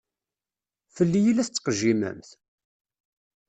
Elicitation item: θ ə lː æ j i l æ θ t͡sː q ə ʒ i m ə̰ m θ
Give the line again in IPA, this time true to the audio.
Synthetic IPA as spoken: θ ə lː i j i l æ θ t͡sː q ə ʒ i m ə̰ m θ